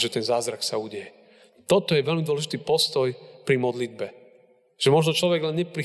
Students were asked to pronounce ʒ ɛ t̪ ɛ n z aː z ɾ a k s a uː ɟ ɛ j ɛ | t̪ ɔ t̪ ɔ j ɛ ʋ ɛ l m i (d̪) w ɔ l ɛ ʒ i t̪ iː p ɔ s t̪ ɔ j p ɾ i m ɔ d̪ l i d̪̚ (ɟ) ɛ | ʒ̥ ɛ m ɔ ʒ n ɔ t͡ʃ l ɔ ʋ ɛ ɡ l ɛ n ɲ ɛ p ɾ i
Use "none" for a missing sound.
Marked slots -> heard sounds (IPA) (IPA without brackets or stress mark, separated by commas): d̪, b